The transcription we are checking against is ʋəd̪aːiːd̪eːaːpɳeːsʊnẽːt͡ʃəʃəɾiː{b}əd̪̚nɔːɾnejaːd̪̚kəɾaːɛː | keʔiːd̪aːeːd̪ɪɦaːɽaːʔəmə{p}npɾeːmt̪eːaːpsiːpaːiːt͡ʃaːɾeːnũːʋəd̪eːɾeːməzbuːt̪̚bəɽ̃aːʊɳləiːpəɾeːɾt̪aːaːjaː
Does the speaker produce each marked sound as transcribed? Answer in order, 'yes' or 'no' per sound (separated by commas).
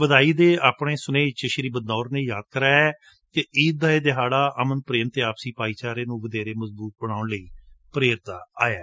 yes, no